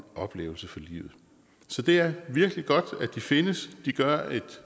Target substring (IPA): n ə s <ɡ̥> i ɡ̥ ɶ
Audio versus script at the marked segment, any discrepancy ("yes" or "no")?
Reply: yes